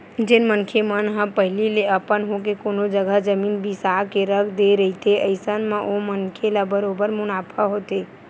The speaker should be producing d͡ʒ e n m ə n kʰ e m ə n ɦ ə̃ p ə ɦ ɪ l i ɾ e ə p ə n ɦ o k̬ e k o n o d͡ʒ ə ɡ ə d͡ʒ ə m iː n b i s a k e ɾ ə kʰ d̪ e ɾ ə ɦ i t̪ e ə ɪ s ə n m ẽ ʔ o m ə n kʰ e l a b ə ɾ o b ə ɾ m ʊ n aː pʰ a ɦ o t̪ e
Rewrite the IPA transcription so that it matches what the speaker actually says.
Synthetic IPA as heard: d͡ʒ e n m ə n kʰ e m ə n ɦ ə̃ p ə ɦ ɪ l i l e ə p ə n ɦ o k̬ e k o n o d͡ʒ ə ɡ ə d͡ʒ ə m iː n b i s a k e ɾ ə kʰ d̪ e ɾ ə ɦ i t̪ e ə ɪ s ə n m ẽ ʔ o m ə n kʰ e l a b ə ɾ o b ə ɾ m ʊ n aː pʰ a ɦ o t̪ e